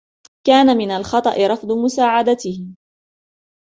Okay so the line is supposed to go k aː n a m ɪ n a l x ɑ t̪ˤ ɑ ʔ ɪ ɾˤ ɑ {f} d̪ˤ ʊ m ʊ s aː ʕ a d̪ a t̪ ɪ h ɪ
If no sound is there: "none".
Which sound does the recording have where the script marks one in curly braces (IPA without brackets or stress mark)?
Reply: f